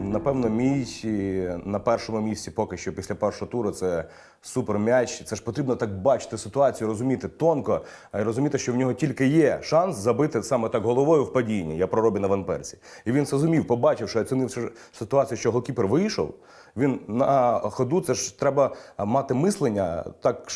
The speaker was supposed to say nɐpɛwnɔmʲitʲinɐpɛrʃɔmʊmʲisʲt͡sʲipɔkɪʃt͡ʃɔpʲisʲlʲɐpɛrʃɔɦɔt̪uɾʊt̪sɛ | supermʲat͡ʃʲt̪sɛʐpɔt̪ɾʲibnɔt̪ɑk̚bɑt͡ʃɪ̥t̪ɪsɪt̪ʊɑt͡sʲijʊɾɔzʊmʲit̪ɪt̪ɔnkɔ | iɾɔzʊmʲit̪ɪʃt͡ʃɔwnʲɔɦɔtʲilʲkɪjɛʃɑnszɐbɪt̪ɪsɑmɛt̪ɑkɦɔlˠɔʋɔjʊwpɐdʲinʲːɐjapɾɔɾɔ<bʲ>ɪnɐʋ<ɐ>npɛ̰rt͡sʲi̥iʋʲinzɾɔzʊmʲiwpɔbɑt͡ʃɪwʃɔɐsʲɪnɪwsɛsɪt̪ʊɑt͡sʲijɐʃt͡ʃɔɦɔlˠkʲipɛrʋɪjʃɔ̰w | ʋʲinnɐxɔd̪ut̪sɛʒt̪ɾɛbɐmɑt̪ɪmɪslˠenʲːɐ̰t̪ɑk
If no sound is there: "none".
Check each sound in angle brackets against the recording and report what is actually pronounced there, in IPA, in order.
bʲ, ɐ

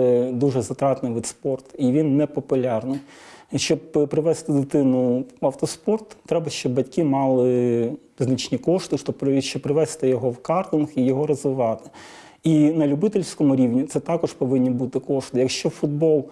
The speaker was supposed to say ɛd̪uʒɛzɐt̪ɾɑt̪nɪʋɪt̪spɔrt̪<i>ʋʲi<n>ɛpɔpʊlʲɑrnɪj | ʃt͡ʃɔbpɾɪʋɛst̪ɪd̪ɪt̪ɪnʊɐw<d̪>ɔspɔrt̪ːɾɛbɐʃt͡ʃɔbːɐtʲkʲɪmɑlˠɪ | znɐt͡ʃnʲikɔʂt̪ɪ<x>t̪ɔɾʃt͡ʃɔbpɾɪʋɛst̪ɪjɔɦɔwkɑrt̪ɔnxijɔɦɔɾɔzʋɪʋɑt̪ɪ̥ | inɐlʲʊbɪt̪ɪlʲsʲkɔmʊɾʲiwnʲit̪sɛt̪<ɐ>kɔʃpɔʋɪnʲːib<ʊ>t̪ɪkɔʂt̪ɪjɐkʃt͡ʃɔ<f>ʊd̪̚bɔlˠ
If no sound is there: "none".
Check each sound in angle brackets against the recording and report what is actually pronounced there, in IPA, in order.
i, nː, t̪, ʃ, ɑ, u, f

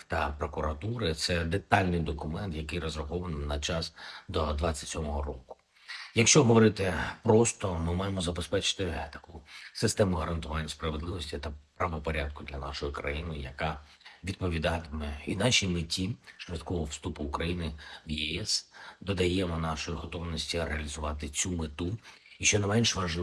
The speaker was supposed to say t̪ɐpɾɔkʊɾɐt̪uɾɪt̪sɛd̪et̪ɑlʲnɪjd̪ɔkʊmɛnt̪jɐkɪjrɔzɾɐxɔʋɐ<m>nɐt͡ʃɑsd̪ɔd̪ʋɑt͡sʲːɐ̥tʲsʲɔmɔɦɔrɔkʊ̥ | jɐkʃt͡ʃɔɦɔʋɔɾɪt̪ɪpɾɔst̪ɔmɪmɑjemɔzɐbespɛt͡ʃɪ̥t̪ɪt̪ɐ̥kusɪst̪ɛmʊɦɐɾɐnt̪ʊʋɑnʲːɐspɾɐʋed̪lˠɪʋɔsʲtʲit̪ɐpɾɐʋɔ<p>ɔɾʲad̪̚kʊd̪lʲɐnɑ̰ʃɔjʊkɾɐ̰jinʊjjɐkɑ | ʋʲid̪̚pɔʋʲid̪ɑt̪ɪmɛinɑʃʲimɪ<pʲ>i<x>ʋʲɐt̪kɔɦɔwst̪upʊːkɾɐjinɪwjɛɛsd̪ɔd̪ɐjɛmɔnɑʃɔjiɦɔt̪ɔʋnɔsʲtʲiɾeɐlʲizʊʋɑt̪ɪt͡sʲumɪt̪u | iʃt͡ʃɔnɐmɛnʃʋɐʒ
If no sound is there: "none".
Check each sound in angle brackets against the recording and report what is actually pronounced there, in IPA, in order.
n, p, tʲ, ʃ

